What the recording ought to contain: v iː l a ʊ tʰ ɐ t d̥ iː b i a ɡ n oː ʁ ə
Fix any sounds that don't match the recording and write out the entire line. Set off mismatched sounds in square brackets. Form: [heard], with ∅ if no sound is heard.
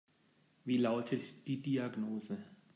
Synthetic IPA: v iː l a ʊ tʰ [ə] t d̥ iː [d] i a ɡ n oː [z] ə